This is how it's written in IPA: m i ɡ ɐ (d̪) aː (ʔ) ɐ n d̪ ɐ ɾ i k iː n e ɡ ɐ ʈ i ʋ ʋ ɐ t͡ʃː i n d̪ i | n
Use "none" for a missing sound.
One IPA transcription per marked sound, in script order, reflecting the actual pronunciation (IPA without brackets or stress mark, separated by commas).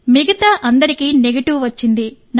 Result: t̪, ʔ